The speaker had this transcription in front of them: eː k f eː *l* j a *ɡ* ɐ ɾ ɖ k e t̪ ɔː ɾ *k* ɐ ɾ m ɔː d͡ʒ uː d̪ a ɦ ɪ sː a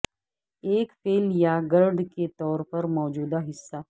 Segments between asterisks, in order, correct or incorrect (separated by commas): correct, correct, incorrect